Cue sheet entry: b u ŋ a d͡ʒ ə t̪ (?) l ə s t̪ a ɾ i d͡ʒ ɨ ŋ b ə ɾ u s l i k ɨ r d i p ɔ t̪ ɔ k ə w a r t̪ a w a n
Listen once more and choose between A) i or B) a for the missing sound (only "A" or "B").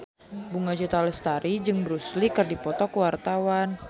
B